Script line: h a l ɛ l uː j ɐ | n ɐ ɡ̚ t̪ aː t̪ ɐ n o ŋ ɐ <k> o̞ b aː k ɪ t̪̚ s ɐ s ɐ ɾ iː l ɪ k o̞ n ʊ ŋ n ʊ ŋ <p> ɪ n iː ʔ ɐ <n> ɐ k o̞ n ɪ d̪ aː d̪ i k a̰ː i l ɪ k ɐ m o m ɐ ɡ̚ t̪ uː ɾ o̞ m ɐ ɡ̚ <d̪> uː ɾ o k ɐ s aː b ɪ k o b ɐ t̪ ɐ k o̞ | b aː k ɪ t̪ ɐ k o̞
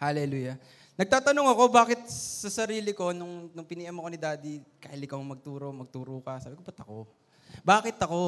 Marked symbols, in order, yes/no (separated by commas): yes, yes, no, no